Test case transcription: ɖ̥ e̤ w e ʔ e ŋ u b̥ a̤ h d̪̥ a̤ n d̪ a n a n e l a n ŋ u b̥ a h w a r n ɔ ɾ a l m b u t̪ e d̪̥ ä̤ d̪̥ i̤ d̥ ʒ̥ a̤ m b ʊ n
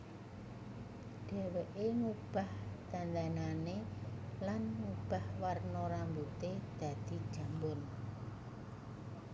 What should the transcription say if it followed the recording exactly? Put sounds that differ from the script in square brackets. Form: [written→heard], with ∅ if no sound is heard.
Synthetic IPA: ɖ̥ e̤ w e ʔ e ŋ u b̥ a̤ h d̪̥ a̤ n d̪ a n a n e l a n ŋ u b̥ a h w a r n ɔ ɾ a [l→∅] m b u t̪ e d̪̥ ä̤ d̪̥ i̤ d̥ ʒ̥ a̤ m b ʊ n